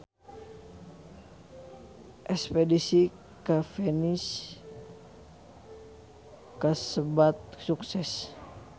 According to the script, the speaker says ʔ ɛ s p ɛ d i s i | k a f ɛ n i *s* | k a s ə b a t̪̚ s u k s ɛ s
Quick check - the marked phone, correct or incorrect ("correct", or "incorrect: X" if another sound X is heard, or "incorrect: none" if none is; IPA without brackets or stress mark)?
correct